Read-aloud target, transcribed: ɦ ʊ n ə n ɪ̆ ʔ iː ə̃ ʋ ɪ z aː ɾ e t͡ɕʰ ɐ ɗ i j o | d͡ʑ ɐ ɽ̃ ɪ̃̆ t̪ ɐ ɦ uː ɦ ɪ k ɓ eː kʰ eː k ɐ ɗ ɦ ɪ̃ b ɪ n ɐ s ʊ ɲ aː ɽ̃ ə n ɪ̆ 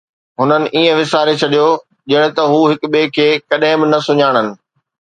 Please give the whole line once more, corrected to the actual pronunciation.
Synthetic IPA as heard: ɦ ʊ n ə n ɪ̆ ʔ iː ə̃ ʋ ɪ s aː ɾ e t͡ɕʰ ɐ ɗ i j o | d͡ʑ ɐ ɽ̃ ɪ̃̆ t̪ ɐ ɦ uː ɦ ɪ k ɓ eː kʰ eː k ɐ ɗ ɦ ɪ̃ b ɪ n ɐ s ʊ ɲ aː ɽ̃ ə n ɪ̆